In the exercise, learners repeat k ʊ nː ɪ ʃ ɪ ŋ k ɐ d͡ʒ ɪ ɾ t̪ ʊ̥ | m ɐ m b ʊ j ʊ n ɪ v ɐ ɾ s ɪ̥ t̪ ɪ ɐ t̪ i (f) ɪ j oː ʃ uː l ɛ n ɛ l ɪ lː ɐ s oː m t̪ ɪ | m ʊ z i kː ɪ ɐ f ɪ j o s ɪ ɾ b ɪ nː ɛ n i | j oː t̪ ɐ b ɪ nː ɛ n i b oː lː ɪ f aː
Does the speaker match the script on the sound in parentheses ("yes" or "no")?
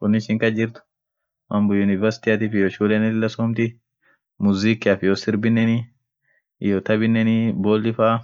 yes